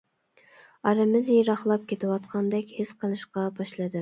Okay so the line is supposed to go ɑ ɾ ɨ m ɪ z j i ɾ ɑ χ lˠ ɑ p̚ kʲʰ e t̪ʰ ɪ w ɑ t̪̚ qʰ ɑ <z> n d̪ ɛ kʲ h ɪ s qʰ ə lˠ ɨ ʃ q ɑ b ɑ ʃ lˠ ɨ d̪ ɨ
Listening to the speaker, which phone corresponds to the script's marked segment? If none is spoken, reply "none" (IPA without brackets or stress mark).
none